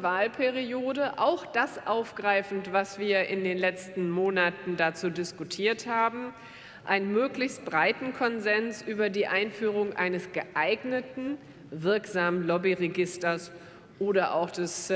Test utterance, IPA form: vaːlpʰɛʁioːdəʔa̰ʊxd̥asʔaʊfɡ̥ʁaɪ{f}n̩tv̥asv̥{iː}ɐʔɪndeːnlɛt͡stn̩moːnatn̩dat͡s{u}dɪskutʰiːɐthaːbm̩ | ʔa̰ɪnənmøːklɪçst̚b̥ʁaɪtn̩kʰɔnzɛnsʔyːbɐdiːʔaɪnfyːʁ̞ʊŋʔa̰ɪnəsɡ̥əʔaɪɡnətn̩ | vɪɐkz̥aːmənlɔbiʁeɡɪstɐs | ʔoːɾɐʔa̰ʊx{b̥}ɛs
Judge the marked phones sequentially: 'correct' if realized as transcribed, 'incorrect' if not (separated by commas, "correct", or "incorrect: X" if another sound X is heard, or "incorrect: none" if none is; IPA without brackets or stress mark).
correct, correct, incorrect: uː, incorrect: d̥